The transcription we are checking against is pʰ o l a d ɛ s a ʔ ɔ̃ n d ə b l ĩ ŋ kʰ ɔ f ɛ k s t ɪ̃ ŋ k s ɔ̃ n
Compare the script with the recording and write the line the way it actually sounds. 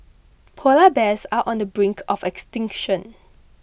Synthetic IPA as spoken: pʰ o l a b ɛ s a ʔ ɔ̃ n d ə b ɹ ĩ ŋ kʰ ɔ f ɛ k s t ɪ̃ ŋ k ʃ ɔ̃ n